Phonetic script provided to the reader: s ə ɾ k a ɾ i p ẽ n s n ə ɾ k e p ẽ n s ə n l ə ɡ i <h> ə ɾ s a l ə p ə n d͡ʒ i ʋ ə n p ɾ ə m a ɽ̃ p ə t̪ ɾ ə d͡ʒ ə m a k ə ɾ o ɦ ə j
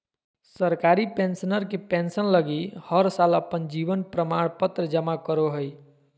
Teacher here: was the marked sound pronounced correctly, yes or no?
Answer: yes